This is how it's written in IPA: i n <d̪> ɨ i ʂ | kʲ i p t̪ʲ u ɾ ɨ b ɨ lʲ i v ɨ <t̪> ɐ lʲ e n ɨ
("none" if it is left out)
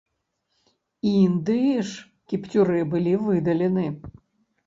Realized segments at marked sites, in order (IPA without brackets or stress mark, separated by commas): d̪, d̪